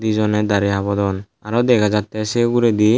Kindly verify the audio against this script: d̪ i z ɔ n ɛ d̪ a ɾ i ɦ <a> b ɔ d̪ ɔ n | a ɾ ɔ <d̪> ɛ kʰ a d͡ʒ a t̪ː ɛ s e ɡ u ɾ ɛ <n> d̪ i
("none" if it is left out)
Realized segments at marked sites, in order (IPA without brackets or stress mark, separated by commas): a, d̪, none